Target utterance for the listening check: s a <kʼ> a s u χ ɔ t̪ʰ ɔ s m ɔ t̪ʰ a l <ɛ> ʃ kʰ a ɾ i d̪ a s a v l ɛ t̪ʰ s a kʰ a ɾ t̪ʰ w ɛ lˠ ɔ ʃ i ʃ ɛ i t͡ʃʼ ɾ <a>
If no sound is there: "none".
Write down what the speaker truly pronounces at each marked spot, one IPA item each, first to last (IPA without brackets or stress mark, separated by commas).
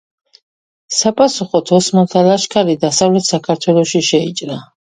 pʼ, a, a